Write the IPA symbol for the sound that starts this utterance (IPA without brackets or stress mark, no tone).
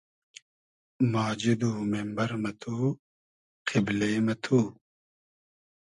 m